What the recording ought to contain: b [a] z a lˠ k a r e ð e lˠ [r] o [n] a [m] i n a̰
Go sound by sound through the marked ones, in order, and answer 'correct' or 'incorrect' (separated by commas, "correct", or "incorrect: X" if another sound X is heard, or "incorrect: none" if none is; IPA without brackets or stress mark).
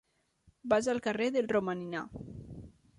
correct, correct, incorrect: m, incorrect: n